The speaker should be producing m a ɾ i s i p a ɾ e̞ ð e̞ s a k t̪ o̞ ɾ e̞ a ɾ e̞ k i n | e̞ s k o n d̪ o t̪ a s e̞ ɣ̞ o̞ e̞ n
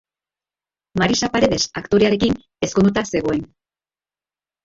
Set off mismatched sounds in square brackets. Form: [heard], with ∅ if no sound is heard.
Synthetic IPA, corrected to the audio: m a ɾ i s [a] p a ɾ e̞ ð e̞ s a k t̪ o̞ ɾ e̞ a ɾ e̞ k i n | e̞ s k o n d̪ [u] t̪ a s e̞ ɣ̞ o̞ e̞ n